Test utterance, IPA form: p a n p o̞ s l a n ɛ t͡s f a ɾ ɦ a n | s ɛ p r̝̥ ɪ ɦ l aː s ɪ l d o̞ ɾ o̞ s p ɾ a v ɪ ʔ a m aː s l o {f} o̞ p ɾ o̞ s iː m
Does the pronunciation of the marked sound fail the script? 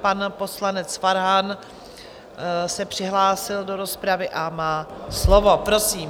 yes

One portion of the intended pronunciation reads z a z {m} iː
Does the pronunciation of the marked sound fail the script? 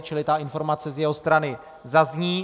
yes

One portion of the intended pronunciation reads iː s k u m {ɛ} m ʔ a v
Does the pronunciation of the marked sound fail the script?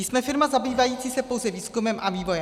no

